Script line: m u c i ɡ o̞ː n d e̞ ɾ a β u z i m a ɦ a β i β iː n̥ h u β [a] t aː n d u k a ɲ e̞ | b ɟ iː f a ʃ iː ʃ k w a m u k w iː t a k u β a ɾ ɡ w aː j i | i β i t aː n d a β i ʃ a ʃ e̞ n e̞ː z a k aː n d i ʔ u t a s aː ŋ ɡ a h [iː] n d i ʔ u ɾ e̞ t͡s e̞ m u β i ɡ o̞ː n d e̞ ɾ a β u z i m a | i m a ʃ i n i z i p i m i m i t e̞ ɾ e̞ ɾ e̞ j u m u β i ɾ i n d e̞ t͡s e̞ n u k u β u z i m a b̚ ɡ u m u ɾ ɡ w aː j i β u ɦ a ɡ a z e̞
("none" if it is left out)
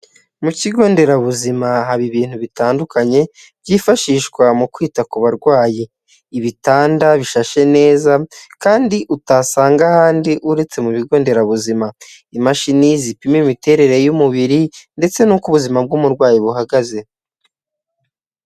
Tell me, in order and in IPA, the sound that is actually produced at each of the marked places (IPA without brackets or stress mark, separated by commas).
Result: i, aː